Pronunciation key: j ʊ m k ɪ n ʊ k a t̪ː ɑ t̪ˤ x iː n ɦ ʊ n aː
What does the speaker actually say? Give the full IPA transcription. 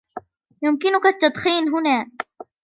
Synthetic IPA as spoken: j ʊ m k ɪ n ʊ k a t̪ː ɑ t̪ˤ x iː n ɦ ʊ n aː